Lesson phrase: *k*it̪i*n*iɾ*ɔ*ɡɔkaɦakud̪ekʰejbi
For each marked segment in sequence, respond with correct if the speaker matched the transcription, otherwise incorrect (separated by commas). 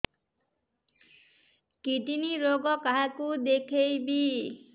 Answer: correct, correct, incorrect